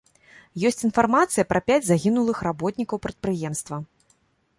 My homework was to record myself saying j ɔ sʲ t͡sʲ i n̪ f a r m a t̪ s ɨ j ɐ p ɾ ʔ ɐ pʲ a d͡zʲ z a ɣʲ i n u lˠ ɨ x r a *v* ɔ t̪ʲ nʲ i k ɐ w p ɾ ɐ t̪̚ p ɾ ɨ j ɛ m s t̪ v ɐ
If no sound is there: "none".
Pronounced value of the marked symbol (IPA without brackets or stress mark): b